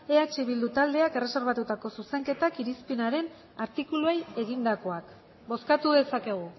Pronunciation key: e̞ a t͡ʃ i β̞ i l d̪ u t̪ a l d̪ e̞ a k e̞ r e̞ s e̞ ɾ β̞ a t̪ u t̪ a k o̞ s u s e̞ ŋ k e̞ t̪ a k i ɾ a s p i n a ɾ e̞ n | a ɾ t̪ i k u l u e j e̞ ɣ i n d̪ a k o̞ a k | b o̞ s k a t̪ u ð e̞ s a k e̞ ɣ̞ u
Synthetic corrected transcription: e̞ a t͡ʃ i β̞ i l d̪ u t̪ a l d̪ e̞ a k e̞ r e̞ s e̞ ɾ β̞ a t̪ u t̪ a k o̞ s u s e̞ ŋ k e̞ t̪ a k i ɾ i s p i n a ɾ e̞ n | a ɾ t̪ i k u l u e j e̞ ɣ i n d̪ a k o̞ a k | b o̞ s k a t̪ u ð e̞ s a k e̞ ɣ̞ u